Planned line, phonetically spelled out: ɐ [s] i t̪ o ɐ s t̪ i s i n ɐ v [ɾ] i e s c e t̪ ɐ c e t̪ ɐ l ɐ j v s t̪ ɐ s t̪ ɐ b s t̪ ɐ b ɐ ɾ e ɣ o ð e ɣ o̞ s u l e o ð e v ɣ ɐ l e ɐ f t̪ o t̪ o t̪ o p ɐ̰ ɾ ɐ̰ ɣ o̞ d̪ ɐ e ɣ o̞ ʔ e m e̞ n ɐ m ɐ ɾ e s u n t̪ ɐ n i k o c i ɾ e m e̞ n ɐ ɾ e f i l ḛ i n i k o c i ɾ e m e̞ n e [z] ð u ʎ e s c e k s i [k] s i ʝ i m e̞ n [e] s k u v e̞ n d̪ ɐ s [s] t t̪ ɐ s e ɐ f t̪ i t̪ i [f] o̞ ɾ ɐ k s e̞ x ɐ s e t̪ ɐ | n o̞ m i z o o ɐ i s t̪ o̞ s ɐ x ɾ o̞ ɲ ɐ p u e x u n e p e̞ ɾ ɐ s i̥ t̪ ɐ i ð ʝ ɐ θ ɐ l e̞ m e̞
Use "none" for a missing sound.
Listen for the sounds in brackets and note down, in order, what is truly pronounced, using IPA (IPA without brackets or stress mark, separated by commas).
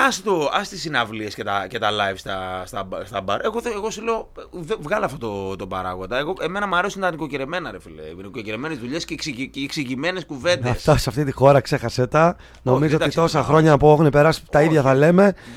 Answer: s, l, z, k, e, f, x